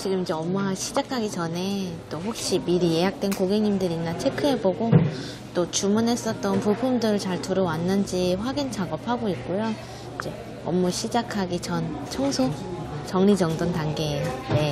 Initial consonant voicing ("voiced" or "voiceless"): voiceless